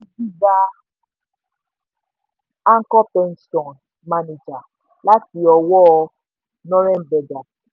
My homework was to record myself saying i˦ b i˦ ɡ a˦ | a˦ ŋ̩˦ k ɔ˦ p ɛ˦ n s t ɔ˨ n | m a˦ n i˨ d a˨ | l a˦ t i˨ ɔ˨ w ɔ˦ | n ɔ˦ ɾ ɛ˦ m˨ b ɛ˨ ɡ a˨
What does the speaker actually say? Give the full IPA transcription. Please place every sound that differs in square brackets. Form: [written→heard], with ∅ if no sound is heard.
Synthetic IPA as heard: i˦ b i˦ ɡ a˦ | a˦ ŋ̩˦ k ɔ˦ p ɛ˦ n s t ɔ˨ n | m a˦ n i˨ [d→d͡ʒ] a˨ | l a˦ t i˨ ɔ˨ w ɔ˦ | n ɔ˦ ɾ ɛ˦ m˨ b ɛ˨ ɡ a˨